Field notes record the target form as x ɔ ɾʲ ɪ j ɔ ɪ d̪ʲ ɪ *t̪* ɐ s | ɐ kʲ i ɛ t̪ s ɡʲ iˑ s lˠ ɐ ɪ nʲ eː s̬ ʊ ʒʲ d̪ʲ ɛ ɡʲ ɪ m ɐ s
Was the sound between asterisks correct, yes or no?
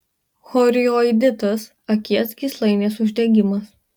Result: yes